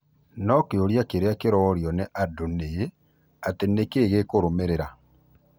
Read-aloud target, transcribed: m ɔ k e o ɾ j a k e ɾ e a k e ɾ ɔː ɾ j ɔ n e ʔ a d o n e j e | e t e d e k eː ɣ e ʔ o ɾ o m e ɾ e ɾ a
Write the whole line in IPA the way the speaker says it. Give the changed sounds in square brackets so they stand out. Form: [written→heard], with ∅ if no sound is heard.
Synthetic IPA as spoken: [m→n] ɔ k e o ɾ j a k e ɾ e a k e ɾ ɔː ɾ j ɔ n e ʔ a d o n e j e | [e→a] t e [d→n] e k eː ɣ e [ʔ→k] o ɾ o m e ɾ e ɾ a